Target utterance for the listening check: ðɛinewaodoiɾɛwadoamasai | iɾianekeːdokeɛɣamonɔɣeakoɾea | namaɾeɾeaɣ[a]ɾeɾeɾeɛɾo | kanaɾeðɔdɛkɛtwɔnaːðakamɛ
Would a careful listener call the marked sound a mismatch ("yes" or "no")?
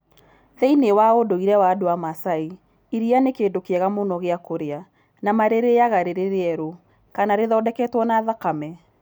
no